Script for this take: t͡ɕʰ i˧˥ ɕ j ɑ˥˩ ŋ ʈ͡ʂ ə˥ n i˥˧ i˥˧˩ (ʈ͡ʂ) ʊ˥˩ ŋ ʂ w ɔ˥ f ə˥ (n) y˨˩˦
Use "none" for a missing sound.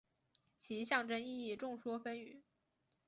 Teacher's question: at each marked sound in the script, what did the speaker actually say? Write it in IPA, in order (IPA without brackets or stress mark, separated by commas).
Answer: ʈ͡ʂ, n